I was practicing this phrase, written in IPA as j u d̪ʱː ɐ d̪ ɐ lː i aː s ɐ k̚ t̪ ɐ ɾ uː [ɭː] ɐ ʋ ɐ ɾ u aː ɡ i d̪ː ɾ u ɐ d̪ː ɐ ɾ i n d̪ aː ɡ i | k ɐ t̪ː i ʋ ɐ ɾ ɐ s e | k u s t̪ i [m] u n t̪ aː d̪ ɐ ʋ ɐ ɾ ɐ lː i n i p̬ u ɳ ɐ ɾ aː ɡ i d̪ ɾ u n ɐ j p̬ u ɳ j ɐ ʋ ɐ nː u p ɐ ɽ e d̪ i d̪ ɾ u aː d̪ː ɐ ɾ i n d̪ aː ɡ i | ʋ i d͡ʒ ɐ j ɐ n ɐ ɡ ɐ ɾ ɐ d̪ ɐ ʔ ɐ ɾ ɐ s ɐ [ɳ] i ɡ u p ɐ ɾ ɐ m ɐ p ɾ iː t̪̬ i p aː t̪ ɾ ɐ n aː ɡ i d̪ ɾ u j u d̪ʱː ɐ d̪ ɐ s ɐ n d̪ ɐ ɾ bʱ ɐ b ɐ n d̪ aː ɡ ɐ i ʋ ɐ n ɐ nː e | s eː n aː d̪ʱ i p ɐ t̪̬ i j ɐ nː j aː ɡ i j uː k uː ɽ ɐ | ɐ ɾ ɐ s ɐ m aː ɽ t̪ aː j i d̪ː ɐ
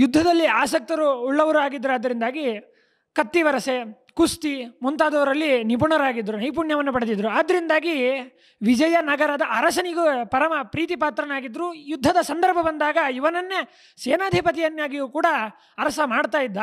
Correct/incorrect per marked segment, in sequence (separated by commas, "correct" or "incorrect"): correct, correct, incorrect